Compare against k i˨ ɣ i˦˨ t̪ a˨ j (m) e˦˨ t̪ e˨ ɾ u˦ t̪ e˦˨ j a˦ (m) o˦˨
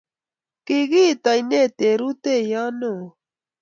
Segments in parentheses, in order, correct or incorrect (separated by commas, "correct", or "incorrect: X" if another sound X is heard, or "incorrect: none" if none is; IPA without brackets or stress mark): incorrect: n, incorrect: n